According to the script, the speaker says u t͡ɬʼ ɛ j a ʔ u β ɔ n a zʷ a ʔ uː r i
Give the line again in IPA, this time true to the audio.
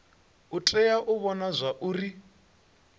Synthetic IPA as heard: u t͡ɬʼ ɛ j a ʔ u β ɔ n a zʷ a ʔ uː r i